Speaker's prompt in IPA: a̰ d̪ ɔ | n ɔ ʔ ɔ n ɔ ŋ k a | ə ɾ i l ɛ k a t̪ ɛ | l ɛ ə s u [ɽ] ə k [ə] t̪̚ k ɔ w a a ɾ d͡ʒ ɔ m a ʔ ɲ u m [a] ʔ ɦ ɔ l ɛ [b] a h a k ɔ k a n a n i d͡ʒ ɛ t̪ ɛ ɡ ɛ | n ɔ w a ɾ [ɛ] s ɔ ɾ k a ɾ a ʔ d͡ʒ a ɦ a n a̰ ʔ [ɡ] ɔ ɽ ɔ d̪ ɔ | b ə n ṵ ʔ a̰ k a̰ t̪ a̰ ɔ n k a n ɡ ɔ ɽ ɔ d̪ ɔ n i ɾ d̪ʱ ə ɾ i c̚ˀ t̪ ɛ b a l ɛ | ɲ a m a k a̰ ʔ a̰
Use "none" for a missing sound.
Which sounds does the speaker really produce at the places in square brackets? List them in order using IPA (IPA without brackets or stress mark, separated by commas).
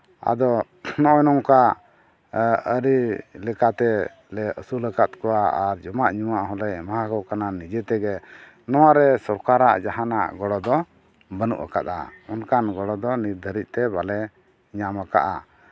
l, a, a, m, ɛ, ɡ